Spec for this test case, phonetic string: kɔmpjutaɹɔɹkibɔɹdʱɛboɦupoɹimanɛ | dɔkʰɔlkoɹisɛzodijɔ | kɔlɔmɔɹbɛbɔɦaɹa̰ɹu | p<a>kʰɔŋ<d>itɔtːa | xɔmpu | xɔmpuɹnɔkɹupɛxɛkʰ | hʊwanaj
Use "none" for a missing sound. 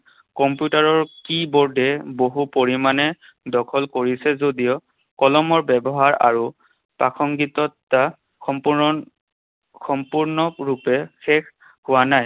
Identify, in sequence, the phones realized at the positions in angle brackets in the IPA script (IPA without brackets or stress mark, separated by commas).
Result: a, ɡ